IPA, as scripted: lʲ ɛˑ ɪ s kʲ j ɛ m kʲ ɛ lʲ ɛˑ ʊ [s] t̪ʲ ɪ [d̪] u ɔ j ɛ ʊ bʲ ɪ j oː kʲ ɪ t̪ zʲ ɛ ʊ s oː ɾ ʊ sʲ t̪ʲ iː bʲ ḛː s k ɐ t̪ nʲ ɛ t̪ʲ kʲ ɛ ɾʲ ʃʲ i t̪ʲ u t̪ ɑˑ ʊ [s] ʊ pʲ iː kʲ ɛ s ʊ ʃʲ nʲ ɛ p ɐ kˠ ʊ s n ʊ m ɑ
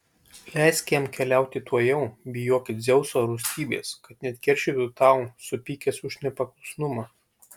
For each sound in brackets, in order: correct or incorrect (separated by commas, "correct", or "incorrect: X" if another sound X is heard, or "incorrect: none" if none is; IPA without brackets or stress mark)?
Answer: incorrect: none, incorrect: t̪, correct